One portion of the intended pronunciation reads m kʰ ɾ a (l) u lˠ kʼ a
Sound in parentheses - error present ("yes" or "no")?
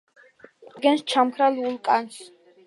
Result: no